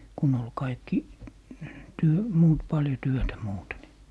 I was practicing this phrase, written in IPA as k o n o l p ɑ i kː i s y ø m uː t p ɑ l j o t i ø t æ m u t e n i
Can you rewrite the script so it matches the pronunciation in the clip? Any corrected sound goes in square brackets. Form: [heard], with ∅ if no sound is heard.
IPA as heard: k [u] n o l [k] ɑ i kː i [t] y ø m uː t p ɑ l j o t [y] ø t æ m [uː] t e n i